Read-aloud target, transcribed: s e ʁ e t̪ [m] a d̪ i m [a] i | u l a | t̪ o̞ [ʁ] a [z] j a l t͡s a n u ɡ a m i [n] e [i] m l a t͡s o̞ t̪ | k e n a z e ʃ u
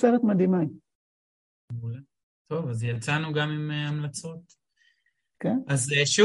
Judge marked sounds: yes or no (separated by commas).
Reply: yes, yes, no, yes, no, no